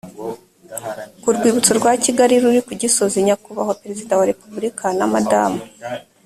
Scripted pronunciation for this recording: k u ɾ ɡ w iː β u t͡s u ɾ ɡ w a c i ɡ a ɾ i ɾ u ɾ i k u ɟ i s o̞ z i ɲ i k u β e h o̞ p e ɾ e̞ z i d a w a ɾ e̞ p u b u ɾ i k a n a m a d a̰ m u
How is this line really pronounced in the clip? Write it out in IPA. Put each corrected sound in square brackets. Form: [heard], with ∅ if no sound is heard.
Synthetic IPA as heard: k u ɾ ɡ w iː β u t͡s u ɾ ɡ w a c i ɡ a ɾ i ɾ u ɾ i k u ɟ i s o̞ z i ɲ [a] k u β [a] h o̞ p e ɾ e̞ z i d a w a ɾ e̞ p u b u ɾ i k a n a m a d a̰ m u